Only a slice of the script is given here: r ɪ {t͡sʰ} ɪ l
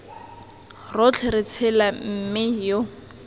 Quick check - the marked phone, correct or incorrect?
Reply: correct